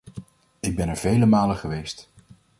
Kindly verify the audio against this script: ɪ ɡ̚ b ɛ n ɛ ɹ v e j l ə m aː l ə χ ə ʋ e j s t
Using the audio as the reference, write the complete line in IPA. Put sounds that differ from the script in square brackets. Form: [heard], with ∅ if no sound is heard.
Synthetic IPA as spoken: ɪ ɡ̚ b ɛ n ɛ ɹ v e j l ə m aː l ə χ ə ʋ e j s t